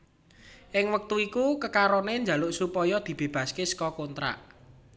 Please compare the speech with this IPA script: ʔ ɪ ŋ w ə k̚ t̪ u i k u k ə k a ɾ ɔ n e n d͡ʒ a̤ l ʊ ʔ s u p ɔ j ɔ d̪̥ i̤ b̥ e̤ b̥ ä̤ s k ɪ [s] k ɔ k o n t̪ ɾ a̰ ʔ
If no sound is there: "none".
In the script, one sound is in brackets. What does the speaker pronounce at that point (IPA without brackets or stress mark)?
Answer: s